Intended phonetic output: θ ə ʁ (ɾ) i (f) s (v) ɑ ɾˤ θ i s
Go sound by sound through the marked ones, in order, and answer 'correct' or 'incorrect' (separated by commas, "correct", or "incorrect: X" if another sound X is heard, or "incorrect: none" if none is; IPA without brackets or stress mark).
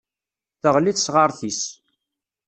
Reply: incorrect: l, incorrect: θ, incorrect: ʁ